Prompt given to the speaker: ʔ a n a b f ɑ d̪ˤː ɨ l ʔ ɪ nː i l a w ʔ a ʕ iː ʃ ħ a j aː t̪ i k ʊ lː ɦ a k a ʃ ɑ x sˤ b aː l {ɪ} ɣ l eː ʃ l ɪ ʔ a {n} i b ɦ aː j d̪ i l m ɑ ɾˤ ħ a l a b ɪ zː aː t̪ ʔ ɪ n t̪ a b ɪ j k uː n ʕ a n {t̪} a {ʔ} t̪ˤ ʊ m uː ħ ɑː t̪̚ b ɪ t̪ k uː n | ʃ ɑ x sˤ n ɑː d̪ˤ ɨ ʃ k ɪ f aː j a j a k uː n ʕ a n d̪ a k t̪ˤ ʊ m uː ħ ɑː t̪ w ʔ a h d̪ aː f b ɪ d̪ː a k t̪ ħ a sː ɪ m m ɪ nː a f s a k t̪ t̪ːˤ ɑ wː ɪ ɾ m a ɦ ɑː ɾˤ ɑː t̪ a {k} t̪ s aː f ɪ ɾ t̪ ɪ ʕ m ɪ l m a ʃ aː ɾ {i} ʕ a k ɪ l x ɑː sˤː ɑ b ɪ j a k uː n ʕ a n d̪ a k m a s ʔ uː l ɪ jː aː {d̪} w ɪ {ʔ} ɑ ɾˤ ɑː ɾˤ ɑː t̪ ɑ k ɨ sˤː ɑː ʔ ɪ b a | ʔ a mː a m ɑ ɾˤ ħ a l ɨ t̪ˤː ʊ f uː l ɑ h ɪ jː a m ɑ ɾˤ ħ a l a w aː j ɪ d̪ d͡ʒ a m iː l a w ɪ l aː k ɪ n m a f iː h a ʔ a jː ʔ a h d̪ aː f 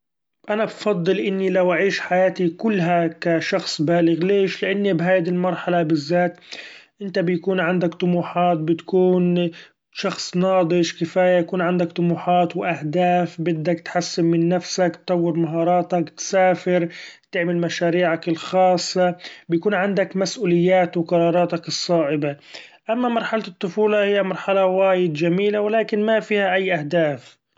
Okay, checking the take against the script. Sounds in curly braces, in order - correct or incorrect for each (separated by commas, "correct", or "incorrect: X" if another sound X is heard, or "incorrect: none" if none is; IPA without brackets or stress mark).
correct, incorrect: nː, incorrect: d̪, incorrect: k, correct, incorrect: iː, incorrect: t̪, incorrect: q